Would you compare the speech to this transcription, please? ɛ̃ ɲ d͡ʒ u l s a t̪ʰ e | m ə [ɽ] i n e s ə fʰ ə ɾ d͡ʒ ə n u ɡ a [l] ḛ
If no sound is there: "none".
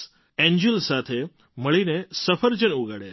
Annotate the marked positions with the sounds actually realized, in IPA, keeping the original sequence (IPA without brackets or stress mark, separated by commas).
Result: ɭ, ɽ